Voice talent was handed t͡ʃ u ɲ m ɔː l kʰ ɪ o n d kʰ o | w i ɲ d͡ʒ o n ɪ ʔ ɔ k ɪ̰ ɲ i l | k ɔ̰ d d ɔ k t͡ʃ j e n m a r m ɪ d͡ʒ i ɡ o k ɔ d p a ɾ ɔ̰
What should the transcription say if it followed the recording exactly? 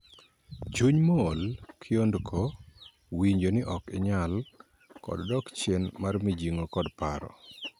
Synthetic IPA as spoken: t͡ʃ u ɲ m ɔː l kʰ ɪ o n d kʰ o | w i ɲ d͡ʒ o n ɪ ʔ ɔ k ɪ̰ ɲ a l | k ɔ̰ d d ɔ k t͡ʃ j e n m a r m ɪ d͡ʒ i ŋ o k ɔ d p a ɾ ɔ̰